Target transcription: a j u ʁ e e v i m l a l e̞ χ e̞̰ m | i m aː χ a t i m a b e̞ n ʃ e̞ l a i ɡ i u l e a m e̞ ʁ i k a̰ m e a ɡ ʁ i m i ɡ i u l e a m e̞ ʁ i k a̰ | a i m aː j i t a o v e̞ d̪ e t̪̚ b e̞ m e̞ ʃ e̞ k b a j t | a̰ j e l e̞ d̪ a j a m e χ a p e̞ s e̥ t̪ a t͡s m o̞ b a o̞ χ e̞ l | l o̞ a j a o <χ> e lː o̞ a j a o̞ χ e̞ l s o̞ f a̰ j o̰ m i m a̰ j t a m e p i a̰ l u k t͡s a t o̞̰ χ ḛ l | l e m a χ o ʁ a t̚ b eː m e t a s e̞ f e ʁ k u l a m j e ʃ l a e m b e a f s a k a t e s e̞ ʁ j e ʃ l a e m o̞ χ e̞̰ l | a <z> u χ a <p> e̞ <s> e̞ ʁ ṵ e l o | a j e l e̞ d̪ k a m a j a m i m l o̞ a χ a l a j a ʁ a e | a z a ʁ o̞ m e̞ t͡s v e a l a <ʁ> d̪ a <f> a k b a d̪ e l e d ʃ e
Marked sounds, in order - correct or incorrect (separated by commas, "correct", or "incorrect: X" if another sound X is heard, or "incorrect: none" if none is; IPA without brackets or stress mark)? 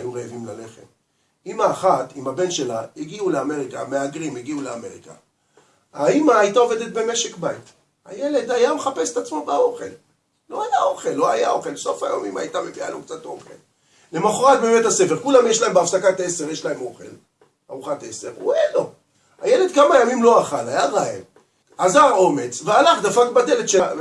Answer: correct, incorrect: ʁ, incorrect: t, correct, incorrect: χ, correct